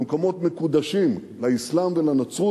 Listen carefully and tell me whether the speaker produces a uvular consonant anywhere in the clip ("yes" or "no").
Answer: no